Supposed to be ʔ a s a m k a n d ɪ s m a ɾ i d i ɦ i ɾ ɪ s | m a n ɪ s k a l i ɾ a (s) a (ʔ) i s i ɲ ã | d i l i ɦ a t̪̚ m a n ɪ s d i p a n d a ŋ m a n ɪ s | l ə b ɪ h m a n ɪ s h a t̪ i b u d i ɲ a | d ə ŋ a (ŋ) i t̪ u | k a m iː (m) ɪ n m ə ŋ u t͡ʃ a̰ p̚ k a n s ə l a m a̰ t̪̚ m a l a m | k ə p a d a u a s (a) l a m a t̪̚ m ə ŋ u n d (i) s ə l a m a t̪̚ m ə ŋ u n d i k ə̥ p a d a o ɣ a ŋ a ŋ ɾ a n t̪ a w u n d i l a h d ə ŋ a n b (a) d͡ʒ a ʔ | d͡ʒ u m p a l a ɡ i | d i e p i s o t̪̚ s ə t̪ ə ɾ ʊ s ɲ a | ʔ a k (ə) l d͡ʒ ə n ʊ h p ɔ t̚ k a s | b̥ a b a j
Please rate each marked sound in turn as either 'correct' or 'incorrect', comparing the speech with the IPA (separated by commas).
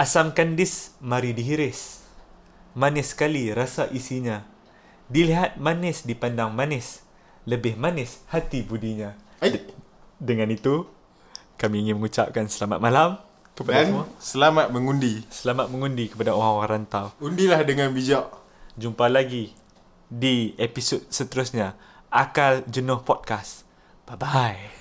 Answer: correct, correct, incorrect, incorrect, incorrect, correct, incorrect, incorrect